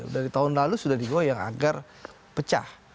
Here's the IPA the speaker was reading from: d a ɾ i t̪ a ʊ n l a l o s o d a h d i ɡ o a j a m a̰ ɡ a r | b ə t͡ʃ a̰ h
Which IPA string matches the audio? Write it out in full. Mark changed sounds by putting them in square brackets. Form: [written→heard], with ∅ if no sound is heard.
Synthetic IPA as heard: d a ɾ i t̪ a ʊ n l a l [o→u] s [o→u] d a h d i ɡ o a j a [m→ŋ] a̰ ɡ a r | [b→p] ə t͡ʃ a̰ h